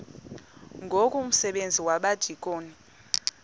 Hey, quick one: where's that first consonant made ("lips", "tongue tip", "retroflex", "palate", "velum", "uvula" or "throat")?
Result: velum